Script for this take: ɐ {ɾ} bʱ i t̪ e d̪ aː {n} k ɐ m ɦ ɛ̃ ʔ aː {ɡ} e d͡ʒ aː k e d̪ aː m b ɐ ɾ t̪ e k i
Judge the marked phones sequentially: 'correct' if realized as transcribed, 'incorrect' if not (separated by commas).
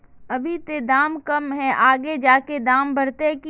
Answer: incorrect, incorrect, correct